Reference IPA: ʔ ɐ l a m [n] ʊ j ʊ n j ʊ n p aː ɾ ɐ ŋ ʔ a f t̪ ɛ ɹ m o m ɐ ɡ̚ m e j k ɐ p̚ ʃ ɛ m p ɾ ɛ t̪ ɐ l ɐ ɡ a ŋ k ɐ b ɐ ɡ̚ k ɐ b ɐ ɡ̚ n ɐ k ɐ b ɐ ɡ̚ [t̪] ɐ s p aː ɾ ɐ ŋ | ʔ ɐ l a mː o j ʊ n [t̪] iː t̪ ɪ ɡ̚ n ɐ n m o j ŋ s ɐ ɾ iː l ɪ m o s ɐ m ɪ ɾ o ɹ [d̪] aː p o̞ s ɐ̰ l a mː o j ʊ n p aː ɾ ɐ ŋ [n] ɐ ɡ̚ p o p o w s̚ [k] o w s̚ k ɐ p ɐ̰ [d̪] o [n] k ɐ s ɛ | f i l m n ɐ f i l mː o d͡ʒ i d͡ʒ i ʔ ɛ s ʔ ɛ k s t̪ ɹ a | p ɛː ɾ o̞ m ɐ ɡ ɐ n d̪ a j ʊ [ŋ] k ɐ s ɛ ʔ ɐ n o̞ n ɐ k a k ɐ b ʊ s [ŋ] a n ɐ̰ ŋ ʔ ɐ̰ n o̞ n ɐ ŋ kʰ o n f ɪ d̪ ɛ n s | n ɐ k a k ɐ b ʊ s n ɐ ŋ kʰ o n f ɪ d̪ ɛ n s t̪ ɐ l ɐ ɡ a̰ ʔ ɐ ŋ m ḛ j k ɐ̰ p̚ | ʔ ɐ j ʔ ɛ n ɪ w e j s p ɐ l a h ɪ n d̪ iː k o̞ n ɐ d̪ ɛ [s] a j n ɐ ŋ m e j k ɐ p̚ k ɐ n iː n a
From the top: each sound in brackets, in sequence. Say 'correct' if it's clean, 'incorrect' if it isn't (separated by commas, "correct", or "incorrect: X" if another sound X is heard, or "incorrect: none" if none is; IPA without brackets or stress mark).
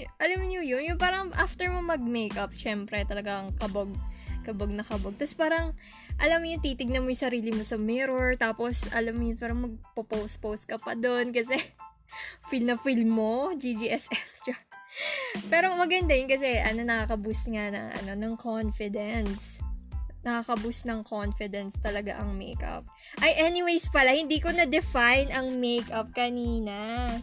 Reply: incorrect: ɲ, correct, correct, incorrect: t̪, incorrect: m, incorrect: p, correct, correct, incorrect: n, correct, incorrect: f